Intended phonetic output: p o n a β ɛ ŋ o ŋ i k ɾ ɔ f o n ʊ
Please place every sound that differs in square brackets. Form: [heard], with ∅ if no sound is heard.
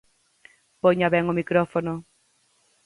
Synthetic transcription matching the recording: p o [ɲ] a β ɛ ŋ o [m] i k ɾ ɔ f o n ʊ